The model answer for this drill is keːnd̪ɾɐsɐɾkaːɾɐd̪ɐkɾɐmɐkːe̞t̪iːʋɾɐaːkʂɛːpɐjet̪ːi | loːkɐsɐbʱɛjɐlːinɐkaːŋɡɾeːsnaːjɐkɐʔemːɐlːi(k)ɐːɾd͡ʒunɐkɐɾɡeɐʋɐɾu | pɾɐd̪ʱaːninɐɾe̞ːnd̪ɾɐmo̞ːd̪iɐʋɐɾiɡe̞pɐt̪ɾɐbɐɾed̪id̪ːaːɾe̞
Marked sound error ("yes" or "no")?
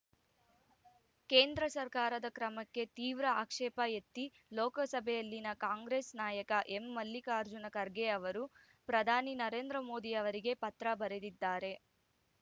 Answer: no